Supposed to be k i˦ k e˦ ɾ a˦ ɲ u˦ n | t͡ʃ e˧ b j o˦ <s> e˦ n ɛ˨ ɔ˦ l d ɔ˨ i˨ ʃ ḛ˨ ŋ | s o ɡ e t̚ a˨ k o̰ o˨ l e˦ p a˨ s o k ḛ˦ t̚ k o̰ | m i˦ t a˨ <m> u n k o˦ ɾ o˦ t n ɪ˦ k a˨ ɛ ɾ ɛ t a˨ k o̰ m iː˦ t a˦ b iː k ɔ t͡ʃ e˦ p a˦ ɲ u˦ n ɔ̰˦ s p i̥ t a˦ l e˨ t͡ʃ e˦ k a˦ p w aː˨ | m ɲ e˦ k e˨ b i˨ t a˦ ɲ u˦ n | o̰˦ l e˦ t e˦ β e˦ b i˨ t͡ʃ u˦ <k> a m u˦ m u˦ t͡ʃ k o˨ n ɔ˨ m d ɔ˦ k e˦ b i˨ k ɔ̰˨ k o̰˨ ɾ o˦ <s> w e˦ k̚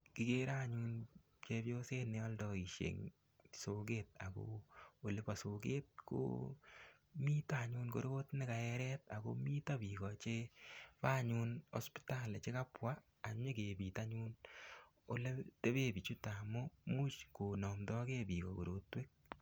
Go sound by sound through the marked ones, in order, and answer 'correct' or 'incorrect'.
correct, incorrect: ɲ, incorrect: t, incorrect: t

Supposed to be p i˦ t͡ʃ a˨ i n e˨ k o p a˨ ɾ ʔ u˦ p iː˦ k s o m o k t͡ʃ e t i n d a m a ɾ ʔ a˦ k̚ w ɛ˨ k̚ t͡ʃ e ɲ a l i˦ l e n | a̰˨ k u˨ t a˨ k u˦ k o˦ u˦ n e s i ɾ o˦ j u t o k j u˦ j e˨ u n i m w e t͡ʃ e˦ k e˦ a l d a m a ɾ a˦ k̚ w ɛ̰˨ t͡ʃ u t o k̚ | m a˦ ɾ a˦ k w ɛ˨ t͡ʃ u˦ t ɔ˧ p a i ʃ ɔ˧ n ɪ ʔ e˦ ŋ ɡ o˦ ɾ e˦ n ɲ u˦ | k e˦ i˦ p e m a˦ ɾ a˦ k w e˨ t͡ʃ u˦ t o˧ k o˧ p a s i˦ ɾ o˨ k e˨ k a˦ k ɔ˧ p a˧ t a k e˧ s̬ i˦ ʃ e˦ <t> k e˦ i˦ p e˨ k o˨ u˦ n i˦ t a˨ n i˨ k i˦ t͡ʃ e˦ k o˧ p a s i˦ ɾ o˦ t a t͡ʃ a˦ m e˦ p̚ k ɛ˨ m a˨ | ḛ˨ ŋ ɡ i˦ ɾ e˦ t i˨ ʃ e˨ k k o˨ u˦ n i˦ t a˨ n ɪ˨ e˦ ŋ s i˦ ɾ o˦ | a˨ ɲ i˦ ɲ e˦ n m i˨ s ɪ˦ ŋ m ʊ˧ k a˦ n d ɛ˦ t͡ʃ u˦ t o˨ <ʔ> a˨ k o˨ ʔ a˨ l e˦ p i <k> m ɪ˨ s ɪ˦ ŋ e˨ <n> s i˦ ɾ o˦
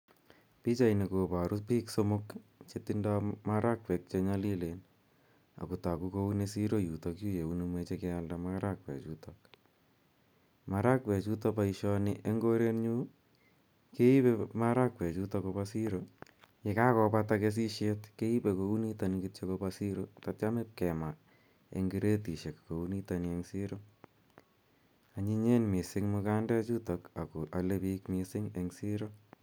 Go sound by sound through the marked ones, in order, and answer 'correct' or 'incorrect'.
correct, incorrect: k, correct, incorrect: ŋ

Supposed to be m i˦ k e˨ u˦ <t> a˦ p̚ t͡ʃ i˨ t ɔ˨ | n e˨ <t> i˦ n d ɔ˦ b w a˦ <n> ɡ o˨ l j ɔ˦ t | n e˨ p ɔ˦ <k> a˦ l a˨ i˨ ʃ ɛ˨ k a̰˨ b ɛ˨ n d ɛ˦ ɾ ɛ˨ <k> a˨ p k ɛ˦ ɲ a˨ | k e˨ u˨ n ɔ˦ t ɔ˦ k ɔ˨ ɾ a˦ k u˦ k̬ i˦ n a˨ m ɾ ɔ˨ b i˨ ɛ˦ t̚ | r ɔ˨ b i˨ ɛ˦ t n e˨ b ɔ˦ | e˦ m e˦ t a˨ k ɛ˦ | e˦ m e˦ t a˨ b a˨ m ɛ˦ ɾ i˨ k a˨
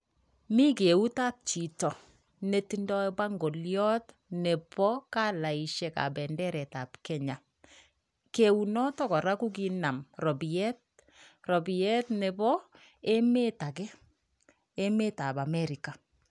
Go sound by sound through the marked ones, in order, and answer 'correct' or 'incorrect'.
correct, correct, incorrect: ŋ, correct, incorrect: t

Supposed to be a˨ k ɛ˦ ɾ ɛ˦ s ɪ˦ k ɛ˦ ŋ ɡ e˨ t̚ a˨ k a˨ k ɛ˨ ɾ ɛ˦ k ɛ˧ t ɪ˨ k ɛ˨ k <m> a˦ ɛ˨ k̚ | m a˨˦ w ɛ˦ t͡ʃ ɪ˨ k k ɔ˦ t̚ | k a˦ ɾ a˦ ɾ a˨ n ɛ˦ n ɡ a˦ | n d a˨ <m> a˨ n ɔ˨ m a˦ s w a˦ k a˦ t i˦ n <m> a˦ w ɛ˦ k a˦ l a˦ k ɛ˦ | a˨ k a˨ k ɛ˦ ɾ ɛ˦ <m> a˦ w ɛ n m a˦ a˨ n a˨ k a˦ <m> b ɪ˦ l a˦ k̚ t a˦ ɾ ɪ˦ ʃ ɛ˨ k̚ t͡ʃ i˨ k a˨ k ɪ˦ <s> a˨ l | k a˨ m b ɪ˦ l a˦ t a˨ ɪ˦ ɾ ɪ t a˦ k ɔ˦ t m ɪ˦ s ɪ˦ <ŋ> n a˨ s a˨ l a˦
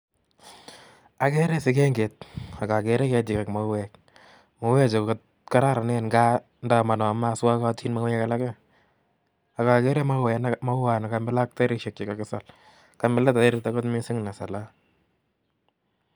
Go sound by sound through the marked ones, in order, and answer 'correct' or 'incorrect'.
correct, correct, correct, correct, correct, correct, correct

